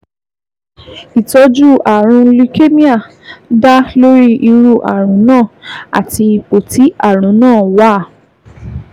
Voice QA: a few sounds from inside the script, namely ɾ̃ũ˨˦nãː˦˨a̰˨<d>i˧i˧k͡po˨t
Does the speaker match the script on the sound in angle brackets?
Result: no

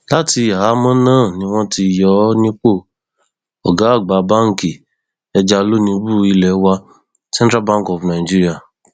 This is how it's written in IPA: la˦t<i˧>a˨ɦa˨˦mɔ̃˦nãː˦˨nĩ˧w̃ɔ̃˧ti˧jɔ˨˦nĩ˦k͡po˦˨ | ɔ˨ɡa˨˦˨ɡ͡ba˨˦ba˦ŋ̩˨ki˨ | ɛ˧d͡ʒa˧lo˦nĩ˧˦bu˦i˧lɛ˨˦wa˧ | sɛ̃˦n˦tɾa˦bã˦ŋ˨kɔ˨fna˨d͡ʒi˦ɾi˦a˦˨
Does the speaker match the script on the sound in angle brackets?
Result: yes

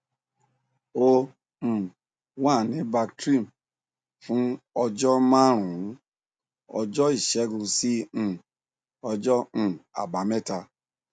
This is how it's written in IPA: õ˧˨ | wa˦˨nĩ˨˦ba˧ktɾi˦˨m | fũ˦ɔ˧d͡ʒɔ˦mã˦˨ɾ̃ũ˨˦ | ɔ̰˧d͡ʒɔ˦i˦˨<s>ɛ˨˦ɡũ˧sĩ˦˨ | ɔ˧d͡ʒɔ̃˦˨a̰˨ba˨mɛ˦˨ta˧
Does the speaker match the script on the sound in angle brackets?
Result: no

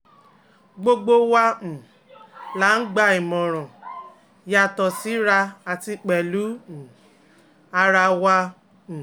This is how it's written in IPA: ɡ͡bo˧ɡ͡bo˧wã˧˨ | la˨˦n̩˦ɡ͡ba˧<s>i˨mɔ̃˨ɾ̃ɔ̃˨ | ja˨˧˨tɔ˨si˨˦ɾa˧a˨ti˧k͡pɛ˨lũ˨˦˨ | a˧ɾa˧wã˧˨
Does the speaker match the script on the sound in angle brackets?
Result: no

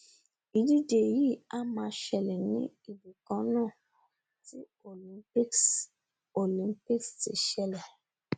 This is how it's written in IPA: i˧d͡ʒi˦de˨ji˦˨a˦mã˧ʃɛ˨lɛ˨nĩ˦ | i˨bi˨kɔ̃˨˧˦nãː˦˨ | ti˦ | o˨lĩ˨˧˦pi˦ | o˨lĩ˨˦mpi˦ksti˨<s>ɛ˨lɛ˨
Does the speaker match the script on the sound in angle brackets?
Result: no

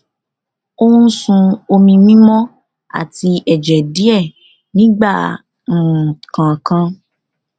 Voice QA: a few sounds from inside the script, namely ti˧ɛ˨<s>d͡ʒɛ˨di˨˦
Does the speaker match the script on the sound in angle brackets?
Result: no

